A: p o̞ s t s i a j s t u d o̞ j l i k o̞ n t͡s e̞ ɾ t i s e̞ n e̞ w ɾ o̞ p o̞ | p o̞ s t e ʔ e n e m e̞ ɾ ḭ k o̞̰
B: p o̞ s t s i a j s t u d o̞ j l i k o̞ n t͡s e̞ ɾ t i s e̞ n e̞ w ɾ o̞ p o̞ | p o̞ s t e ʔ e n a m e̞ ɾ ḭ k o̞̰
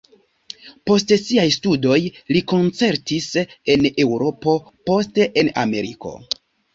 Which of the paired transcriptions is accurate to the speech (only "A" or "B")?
B